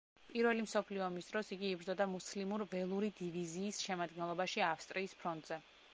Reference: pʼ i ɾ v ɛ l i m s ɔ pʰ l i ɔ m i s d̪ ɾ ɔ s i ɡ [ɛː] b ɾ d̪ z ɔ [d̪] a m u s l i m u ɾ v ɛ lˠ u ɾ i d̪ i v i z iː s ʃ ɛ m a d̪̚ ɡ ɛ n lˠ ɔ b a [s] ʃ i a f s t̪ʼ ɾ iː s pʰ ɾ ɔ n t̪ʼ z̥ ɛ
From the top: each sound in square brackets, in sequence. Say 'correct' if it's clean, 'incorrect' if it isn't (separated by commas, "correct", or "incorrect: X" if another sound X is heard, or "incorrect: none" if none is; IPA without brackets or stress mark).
incorrect: iː, correct, incorrect: none